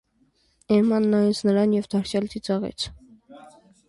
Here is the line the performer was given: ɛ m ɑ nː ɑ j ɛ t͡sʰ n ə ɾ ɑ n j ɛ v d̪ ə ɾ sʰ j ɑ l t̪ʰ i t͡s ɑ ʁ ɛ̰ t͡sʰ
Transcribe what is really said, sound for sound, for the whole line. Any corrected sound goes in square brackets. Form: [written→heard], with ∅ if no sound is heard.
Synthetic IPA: ɛ m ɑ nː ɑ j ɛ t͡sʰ n ə ɾ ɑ n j ɛ v d̪ [ə→ɑ] ɾ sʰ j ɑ l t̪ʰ i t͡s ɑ ʁ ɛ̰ t͡sʰ

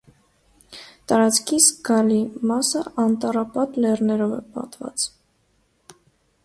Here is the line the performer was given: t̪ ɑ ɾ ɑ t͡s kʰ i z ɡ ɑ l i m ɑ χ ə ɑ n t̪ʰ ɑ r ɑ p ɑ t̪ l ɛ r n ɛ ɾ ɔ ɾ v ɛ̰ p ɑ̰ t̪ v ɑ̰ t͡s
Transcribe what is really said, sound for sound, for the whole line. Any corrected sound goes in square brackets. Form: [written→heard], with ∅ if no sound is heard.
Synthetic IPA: t̪ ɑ ɾ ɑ t͡s kʰ i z ɡ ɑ l i m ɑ [χ→s] ə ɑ n [t̪ʰ→t̪] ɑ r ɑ p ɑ t̪ l ɛ r n ɛ ɾ ɔ [ɾ→∅] v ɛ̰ p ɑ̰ t̪ v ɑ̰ t͡s

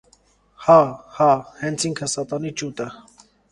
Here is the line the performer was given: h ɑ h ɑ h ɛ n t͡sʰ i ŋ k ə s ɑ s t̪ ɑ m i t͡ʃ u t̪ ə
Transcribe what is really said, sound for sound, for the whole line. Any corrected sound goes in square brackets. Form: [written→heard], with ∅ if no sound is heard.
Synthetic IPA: h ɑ h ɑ h ɛ n t͡sʰ i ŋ [k→kʰ] ə s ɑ [s→∅] t̪ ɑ [m→n] i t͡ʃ u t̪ ə

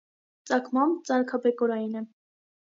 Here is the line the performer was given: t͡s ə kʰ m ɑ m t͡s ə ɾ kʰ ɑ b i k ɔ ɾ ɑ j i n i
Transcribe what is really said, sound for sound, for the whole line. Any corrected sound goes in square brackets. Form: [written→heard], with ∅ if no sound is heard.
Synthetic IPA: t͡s [ə→ɑ] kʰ m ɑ m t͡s [ə→ɑ] ɾ kʰ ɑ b [i→ɛ] k ɔ ɾ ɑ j i n [i→ɛ]

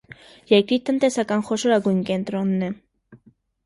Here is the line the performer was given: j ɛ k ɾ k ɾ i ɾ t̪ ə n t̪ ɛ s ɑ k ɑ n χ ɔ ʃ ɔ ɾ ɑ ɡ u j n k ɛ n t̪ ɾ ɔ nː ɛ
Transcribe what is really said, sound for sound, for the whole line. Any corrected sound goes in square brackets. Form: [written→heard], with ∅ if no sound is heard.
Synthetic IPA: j ɛ [k→∅] ɾ k ɾ i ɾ t̪ ə n t̪ ɛ s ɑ k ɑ n χ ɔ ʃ ɔ ɾ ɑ ɡ u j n k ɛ n t̪ ɾ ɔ nː ɛ

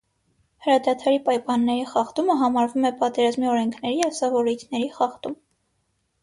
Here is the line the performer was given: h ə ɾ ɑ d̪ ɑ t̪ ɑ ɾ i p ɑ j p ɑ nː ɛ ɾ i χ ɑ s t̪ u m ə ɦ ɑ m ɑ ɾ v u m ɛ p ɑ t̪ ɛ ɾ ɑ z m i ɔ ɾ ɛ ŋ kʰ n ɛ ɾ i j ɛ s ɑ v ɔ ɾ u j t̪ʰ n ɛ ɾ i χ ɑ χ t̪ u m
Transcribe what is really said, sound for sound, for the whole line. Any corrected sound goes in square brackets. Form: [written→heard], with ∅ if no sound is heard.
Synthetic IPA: h ə ɾ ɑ d̪ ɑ [t̪→t̪ʰ] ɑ ɾ i p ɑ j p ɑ nː ɛ ɾ i χ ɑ [s→χ] t̪ u m ə ɦ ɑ m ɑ ɾ v u m ɛ p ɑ t̪ ɛ ɾ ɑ z m i ɔ ɾ ɛ ŋ kʰ n ɛ ɾ i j ɛ s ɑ v ɔ ɾ u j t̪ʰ n ɛ ɾ i χ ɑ χ t̪ u m

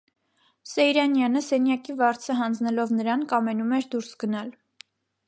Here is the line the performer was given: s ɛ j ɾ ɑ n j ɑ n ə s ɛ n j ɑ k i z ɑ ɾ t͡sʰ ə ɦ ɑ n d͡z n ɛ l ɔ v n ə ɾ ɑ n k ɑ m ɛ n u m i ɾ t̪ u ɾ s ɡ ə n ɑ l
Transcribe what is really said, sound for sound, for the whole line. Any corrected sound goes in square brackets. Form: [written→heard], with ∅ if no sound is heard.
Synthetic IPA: s ɛ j ɾ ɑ n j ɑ n ə s ɛ n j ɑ k i [z→v] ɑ ɾ t͡sʰ ə ɦ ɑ n d͡z n ɛ l ɔ v n ə ɾ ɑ n k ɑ m ɛ n u m [i→ɛ] ɾ [t̪→d̪] u ɾ s ɡ ə n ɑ l

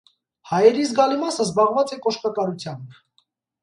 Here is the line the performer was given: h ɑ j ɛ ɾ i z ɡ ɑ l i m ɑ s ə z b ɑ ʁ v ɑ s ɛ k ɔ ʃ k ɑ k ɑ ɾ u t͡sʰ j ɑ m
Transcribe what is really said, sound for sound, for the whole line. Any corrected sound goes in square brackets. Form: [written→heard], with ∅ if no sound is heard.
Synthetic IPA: h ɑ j ɛ ɾ i z ɡ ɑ l i m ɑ s ə z b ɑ ʁ v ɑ [s→t͡s] ɛ k ɔ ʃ k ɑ k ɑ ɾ u t͡sʰ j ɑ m

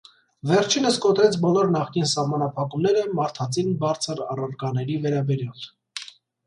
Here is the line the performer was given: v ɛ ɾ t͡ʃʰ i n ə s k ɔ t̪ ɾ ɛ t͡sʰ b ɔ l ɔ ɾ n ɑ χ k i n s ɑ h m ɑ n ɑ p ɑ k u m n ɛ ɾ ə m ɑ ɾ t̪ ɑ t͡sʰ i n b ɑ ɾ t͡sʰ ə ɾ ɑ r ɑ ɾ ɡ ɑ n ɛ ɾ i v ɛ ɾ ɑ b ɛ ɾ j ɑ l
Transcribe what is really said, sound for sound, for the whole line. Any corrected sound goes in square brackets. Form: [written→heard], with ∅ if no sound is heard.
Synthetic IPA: v ɛ ɾ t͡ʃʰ i n ə s k ɔ t̪ ɾ ɛ t͡sʰ b ɔ l ɔ ɾ n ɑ χ k i n s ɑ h m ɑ n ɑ [p→pʰ] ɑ k u m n ɛ ɾ ə m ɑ ɾ [t̪→t̪ʰ] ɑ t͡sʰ i n b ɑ ɾ t͡sʰ ə ɾ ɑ r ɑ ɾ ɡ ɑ n ɛ ɾ i v ɛ ɾ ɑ b ɛ ɾ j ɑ l

